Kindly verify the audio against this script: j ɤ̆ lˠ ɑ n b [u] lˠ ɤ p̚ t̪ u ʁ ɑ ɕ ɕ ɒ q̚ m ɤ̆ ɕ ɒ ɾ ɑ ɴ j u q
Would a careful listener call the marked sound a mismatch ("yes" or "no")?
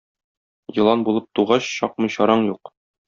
no